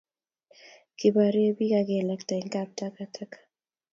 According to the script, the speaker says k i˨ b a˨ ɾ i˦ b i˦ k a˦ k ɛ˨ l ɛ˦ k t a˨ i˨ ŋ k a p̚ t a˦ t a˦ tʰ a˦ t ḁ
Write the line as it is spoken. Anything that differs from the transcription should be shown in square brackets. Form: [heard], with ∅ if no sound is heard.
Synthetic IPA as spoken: k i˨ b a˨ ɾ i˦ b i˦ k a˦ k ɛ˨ l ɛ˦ k t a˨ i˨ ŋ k a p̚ t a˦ [k] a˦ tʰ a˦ [k] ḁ